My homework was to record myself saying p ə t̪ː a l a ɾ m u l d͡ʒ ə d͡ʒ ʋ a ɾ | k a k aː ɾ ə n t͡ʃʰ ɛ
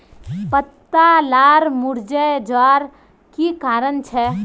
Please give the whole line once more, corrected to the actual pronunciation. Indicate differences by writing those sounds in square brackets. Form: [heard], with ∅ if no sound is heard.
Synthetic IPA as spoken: p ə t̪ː a l a ɾ m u [ɾ] d͡ʒ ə d͡ʒ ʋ a ɾ | k [i] k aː ɾ ə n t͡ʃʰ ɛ